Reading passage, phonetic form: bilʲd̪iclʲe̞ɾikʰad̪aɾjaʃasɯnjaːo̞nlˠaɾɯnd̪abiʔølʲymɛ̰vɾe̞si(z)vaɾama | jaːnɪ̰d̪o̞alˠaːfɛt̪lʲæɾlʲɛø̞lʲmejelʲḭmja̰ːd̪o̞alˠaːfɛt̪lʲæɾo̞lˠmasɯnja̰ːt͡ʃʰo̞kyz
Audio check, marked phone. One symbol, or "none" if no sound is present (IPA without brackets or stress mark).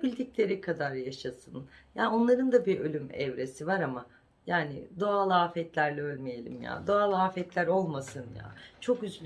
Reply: none